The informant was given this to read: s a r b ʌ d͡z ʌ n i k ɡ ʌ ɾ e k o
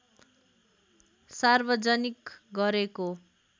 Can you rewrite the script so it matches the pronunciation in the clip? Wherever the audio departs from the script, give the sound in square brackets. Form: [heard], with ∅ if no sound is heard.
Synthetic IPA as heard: s a r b ʌ d͡z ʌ n i k ɡ ʌ ɾ e k o